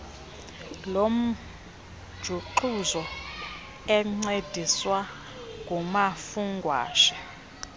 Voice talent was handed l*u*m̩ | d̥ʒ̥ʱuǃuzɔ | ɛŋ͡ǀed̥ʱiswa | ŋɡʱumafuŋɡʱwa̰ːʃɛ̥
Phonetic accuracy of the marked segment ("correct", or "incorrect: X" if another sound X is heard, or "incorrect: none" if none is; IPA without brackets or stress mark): incorrect: o